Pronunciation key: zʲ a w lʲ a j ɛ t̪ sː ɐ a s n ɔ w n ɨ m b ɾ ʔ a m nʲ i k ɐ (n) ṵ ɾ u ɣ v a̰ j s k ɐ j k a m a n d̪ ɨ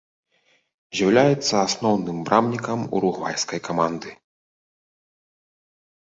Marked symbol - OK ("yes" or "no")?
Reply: no